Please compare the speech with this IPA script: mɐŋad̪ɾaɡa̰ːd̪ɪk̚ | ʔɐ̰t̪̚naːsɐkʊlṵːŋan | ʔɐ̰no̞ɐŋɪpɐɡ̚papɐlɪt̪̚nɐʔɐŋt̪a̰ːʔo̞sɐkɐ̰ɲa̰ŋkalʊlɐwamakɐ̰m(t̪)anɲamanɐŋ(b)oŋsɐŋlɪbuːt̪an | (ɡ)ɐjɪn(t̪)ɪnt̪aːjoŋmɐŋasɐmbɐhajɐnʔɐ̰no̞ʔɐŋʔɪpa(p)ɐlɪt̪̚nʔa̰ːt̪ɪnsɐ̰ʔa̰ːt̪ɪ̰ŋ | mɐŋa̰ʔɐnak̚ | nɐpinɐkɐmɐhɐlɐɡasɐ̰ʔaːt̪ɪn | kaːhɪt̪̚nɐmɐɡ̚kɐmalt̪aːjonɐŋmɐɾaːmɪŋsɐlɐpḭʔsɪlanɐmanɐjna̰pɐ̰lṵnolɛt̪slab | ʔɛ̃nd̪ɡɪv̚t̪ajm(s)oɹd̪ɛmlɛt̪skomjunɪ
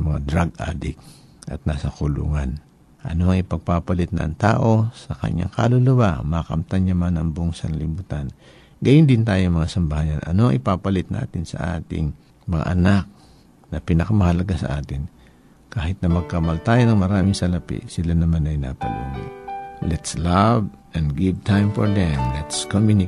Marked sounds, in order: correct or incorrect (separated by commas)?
correct, correct, correct, incorrect, correct, incorrect